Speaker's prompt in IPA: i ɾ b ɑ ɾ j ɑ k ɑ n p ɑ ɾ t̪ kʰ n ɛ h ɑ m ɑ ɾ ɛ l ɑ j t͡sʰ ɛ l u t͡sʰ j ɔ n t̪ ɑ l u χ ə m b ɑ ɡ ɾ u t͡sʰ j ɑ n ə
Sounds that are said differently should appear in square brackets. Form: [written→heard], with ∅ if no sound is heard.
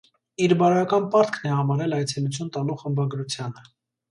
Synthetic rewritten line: i ɾ b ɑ ɾ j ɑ k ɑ n p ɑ ɾ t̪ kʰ n ɛ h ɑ m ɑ ɾ ɛ l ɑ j t͡sʰ ɛ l u t͡sʰ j [ɔ→u] n t̪ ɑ l u χ ə m b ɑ ɡ ɾ u t͡sʰ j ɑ n ə